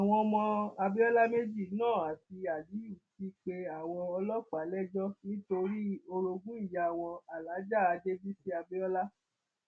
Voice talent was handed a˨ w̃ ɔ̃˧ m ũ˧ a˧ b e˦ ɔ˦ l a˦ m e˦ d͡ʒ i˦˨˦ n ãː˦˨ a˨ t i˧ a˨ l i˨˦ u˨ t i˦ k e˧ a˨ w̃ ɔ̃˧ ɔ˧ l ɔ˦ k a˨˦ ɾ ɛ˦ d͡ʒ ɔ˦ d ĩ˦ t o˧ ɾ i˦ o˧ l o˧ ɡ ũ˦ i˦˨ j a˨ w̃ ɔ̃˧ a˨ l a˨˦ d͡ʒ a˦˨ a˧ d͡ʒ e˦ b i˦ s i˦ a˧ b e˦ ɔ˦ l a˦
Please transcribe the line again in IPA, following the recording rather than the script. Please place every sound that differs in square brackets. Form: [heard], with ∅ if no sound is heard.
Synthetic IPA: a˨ w̃ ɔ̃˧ m [ɔ̃˧] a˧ b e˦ ɔ˦ l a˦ m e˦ d͡ʒ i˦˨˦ n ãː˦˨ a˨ t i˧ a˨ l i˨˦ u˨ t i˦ [k͡p] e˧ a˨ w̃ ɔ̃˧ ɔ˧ l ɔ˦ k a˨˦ [l] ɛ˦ d͡ʒ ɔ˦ [n] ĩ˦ t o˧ ɾ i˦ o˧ [ɾ] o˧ ɡ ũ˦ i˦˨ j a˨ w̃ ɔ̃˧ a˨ l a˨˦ d͡ʒ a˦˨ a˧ d͡ʒ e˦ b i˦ s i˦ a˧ b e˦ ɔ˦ l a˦